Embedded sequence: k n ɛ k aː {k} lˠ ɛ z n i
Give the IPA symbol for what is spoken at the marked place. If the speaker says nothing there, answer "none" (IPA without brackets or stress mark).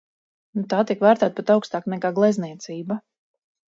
ɡ